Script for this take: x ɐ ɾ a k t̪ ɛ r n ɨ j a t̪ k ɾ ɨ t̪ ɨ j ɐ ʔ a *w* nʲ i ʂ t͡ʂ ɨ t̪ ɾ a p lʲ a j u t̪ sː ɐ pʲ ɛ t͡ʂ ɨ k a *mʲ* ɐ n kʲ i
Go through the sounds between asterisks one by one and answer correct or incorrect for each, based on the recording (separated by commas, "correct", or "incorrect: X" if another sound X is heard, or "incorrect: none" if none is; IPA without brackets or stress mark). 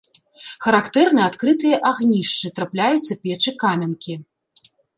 incorrect: ɣ, correct